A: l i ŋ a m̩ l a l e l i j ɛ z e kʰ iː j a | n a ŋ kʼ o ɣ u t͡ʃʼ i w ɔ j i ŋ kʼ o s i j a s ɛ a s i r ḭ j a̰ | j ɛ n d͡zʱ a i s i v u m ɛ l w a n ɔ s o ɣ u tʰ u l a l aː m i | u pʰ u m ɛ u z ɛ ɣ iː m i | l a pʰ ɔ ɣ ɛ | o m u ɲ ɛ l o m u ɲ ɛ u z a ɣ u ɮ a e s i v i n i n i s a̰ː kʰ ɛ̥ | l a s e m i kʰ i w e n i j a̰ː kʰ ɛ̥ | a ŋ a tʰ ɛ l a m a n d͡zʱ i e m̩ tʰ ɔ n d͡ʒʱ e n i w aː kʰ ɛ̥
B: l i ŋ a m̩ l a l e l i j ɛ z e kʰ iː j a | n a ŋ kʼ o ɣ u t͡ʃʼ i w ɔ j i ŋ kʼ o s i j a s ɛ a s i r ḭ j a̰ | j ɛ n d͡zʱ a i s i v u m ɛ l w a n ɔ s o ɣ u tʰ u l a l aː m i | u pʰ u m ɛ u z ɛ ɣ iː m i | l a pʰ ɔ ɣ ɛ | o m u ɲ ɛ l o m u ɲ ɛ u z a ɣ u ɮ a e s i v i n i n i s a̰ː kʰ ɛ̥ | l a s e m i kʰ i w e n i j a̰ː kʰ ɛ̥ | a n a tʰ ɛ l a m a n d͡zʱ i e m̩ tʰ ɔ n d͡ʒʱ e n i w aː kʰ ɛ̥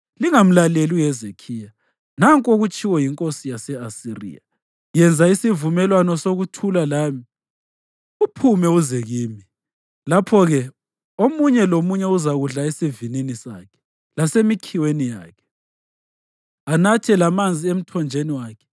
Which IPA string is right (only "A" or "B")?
B